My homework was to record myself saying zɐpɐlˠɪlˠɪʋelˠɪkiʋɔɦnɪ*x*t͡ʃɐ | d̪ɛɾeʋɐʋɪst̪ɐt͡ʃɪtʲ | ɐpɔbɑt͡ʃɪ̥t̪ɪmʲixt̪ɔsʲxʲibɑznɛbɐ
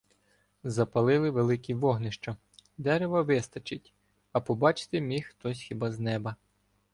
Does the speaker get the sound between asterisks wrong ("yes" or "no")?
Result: yes